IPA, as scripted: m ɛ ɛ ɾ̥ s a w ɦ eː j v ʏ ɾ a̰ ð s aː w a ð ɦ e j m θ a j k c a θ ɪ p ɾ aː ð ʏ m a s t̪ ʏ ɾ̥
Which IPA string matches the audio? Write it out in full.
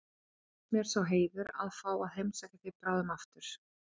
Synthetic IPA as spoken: m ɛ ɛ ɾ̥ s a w ɦ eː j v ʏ ɾ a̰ ð f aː w a ð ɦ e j m s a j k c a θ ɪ p ɾ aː ð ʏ m a f t̪ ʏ ɾ̥